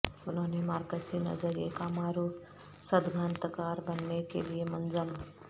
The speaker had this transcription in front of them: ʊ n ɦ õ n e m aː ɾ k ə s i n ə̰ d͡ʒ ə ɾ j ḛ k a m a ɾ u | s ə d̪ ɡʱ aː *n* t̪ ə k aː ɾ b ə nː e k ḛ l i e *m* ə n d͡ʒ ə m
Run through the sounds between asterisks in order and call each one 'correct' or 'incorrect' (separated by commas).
correct, correct